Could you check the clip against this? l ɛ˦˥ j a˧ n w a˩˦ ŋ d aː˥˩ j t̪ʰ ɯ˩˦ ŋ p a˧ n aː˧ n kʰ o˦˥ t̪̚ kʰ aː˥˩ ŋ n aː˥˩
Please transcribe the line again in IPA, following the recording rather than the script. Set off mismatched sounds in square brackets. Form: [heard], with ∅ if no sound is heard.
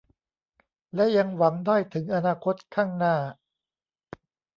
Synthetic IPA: l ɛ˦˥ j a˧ [ŋ] w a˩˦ ŋ d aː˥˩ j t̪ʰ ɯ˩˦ ŋ [ʔ] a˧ n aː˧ [∅] kʰ o˦˥ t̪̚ kʰ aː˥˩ ŋ n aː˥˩

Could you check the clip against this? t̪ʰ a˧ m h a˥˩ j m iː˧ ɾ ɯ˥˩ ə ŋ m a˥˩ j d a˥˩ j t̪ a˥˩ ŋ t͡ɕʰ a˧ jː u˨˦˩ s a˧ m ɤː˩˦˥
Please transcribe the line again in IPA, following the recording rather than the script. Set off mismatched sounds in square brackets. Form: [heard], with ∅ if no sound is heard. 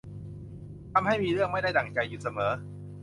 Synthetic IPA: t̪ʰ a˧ m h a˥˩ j m iː˧ ɾ ɯ˥˩ ə ŋ m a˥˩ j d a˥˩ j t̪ [a˨˩] ŋ [t͡ɕ] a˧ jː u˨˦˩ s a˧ m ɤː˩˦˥

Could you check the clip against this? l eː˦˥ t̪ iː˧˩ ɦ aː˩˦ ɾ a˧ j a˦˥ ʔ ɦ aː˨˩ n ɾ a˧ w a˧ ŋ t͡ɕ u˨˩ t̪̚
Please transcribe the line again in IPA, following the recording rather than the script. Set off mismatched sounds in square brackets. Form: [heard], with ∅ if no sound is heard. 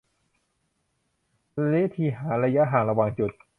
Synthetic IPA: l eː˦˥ [t̪ʰ] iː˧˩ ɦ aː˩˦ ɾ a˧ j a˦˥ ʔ ɦ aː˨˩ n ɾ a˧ w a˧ ŋ t͡ɕ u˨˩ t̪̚

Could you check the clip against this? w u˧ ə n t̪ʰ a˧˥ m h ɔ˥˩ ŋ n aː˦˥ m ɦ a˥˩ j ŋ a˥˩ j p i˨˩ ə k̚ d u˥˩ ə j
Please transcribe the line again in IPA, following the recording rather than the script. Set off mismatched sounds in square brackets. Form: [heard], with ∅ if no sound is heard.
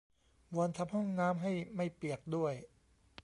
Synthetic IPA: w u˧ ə n t̪ʰ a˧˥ m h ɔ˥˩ ŋ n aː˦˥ m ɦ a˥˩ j [m] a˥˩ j p i˨˩ ə k̚ d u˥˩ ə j

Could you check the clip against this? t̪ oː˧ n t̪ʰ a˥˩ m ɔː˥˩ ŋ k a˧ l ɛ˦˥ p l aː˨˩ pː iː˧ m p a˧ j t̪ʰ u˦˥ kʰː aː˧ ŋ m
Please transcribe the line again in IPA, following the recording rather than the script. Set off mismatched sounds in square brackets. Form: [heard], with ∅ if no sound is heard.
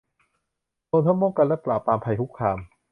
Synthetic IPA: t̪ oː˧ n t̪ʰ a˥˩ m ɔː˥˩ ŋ k a˧ l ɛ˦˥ p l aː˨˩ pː [aː˧] m [pʰ] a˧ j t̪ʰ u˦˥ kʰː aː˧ [∅] m

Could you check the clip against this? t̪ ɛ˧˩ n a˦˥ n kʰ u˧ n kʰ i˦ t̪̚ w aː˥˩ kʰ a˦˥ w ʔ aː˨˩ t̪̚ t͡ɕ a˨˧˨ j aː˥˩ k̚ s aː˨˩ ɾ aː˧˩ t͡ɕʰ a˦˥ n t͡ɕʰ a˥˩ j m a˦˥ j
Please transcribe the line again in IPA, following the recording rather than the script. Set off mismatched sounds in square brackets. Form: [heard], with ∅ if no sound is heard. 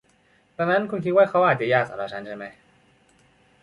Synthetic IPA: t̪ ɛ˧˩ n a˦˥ n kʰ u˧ n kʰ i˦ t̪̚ w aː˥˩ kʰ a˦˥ w ʔ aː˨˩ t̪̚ t͡ɕ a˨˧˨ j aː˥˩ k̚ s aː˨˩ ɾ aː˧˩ t͡ɕʰ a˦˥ n t͡ɕʰ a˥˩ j m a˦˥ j

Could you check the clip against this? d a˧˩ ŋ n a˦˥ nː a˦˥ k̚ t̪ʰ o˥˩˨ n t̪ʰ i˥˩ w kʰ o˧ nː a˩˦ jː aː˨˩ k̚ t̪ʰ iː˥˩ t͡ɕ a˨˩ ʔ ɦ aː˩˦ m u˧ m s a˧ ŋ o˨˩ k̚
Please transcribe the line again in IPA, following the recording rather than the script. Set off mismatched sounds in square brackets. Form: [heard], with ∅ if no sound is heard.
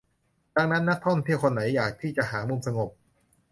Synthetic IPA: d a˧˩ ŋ n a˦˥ nː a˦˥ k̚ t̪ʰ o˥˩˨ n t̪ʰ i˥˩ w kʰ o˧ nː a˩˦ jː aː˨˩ k̚ t̪ʰ iː˥˩ t͡ɕ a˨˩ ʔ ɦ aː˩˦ m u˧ m s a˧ ŋ o˨˩ [p̚]

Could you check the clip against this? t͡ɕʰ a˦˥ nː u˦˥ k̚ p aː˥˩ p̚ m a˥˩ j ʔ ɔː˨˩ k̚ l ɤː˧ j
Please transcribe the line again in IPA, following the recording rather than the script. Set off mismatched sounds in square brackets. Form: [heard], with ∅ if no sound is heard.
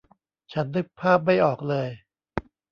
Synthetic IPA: t͡ɕʰ a˦˥ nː [ɯ˦˥] k̚ [pʰ] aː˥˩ p̚ m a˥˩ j ʔ ɔː˨˩ k̚ l ɤː˧ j

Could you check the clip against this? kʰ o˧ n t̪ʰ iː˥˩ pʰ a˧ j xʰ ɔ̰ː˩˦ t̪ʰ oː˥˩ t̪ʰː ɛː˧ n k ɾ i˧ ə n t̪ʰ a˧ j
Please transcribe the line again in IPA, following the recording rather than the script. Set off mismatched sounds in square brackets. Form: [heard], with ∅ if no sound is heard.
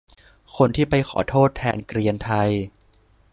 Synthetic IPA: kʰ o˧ n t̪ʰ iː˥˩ [p] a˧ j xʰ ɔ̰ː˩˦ t̪ʰ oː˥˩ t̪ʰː ɛː˧ n k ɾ i˧ ə n t̪ʰ a˧ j

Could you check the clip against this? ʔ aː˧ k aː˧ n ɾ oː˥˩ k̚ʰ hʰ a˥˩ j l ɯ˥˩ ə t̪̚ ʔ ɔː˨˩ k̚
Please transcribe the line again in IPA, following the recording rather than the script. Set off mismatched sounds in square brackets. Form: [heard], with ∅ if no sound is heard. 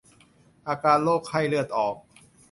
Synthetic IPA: ʔ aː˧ k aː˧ n [l] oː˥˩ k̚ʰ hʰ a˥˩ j l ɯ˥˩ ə t̪̚ ʔ ɔː˨˩ k̚

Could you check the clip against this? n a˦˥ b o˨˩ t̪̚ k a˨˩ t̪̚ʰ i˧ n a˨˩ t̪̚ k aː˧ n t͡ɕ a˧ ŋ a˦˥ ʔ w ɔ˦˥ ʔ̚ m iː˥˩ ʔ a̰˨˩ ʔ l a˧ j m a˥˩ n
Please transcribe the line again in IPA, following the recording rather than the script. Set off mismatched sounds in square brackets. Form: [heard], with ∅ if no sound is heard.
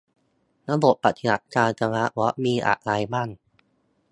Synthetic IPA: n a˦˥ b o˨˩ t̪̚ [p] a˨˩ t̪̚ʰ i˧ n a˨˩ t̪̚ k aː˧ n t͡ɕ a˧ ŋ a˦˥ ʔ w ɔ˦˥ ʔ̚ m [iː˧] ʔ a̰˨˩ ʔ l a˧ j m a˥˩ n

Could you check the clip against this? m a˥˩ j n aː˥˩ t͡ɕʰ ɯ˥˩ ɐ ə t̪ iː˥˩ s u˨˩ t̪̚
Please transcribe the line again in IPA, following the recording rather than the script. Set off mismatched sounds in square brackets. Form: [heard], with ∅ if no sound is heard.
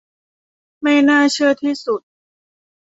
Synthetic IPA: m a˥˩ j n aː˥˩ t͡ɕʰ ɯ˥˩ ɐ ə [t̪ʰ] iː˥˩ s u˨˩ t̪̚

